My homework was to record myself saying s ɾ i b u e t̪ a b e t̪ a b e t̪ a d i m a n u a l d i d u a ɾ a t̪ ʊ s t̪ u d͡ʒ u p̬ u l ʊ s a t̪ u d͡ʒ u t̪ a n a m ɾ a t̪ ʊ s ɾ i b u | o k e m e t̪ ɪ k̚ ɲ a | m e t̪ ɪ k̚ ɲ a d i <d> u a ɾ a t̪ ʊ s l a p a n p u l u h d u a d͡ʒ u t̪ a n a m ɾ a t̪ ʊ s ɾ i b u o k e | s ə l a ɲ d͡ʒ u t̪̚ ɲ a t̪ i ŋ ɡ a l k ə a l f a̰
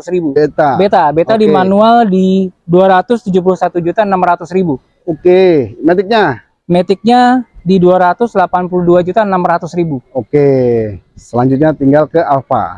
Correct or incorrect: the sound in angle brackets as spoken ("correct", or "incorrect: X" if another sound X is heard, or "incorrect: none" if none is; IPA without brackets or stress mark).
correct